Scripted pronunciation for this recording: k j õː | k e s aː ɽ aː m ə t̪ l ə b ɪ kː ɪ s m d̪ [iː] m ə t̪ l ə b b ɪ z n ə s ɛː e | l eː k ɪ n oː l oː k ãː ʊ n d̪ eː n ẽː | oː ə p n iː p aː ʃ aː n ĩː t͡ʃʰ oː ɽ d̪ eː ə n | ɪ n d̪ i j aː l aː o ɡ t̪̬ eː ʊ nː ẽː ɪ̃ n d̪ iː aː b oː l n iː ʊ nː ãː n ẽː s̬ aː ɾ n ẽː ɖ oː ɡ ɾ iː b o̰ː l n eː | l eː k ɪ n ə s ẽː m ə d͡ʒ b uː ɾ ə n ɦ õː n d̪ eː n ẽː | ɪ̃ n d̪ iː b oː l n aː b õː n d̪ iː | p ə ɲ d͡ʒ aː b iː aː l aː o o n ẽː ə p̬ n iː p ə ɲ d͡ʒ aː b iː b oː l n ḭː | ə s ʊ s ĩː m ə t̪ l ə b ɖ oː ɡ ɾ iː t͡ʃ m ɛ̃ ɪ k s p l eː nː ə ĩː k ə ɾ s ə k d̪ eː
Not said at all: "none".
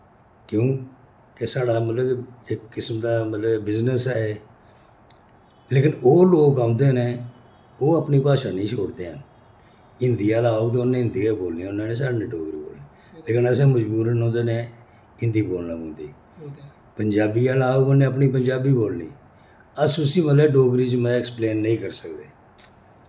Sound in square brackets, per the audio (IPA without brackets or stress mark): aː